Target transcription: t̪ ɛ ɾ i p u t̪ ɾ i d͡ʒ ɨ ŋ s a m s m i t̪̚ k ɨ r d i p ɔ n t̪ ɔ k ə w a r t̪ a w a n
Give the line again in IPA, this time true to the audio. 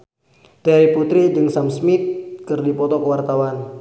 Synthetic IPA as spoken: t̪ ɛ ɾ i p u t̪ ɾ i d͡ʒ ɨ ŋ s a m s m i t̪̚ k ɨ r d i p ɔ t̪ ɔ k ə w a r t̪ a w a n